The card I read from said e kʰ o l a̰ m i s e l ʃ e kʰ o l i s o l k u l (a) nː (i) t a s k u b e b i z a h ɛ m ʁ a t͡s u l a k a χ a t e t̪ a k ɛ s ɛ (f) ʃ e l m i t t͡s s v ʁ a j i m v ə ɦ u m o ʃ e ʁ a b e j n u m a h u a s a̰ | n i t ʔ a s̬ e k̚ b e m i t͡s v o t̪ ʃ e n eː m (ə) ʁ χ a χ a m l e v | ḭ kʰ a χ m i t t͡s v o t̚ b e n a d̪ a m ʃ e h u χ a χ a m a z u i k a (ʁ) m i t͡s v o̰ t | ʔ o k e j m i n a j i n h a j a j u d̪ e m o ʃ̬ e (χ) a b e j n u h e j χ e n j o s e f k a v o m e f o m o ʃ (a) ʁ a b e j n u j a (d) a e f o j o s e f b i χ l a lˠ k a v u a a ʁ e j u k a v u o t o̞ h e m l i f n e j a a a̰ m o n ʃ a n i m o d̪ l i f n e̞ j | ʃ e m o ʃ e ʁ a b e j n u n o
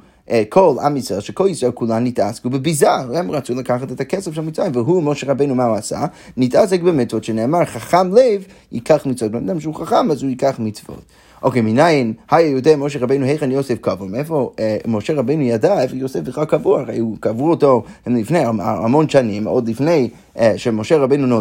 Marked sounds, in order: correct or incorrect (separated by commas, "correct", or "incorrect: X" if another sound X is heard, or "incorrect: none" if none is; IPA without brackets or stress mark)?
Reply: correct, correct, correct, incorrect: a, incorrect: χ, incorrect: ʁ, incorrect: e, correct